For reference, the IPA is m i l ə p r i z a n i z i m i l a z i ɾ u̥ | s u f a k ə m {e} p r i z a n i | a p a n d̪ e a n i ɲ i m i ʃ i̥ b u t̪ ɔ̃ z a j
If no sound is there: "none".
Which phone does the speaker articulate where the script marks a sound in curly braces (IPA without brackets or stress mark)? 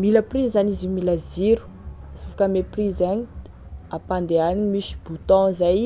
e